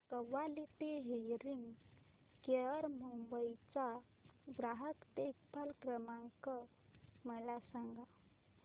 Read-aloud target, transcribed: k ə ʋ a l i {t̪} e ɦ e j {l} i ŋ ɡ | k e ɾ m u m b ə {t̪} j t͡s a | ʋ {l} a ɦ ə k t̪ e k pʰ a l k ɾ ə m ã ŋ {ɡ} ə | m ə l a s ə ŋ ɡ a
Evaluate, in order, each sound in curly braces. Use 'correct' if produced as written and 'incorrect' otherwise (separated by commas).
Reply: correct, incorrect, incorrect, incorrect, incorrect